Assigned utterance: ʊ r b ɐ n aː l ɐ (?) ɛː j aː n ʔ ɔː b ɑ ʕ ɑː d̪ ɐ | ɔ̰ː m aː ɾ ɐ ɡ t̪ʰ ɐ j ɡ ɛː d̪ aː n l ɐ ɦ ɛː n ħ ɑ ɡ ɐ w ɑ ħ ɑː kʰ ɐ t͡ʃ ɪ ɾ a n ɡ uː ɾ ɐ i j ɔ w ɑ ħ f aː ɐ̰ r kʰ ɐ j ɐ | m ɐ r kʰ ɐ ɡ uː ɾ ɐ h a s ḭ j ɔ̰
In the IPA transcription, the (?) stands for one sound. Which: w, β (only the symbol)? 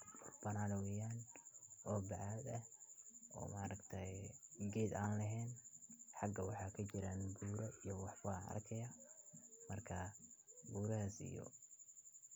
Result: w